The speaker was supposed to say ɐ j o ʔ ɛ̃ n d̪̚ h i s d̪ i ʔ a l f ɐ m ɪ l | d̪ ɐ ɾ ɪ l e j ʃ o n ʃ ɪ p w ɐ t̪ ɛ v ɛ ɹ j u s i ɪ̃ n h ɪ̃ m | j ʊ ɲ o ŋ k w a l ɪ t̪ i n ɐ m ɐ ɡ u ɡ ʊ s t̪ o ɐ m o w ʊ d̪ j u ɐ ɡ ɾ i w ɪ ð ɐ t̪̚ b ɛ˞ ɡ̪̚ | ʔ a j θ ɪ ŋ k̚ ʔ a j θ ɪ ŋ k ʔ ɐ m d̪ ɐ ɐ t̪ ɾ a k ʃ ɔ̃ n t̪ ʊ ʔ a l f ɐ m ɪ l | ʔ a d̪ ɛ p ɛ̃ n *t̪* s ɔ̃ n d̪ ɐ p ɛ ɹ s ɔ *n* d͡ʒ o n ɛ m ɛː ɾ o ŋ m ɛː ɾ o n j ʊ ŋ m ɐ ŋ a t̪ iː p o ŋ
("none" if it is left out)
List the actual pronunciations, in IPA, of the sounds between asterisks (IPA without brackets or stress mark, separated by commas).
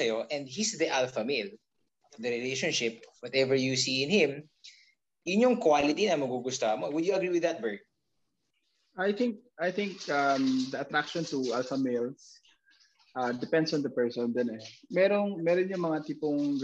d̪, n